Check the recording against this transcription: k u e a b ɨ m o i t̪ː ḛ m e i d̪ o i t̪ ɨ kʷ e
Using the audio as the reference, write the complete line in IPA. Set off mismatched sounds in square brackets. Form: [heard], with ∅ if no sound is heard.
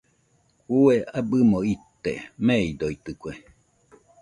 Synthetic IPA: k u e a b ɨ m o i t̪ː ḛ m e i d̪ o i t̪ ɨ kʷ e